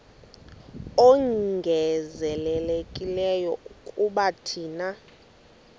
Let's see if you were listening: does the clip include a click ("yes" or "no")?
no